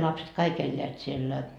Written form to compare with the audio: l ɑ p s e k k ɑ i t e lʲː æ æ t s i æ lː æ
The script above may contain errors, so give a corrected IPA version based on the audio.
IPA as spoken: l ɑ p s e t k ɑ i k e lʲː e æ t s i e lː æ